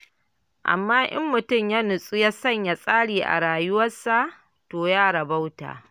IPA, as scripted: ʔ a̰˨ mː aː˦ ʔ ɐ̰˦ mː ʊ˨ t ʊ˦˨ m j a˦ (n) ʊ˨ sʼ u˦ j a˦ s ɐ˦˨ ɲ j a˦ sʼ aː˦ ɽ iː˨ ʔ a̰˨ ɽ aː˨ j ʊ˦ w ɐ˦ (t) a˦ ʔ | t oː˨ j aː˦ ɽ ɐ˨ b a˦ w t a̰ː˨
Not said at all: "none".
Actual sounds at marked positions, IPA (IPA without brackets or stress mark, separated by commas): n, s